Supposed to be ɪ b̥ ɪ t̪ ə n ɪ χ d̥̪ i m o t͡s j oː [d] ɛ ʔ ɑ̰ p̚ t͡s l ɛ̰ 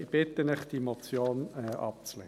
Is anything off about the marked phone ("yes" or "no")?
yes